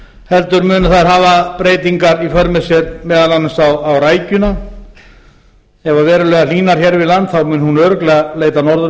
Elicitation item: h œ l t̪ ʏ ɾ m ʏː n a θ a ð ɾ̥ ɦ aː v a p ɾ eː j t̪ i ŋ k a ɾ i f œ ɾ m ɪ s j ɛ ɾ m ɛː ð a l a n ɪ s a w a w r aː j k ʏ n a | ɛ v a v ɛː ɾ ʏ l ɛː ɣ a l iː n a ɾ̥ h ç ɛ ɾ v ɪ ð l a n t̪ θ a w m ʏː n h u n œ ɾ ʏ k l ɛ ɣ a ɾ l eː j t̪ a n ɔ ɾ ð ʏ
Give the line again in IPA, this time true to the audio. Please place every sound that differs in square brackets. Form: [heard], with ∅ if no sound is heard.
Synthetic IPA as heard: h [ɛ] l t̪ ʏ ɾ m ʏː n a θ a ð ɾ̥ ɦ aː v a p ɾ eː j t̪ i ŋ k a ɾ i f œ ɾ m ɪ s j ɛ ɾ m ɛː ð a l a n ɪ s a w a w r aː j [c] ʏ n a | ɛ v a v ɛː ɾ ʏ l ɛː ɣ a l iː n a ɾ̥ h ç ɛ ɾ v ɪ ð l a n t̪ θ a w m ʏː n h u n œ ɾ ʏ k l ɛ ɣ a [∅] l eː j t̪ a n ɔ ɾ ð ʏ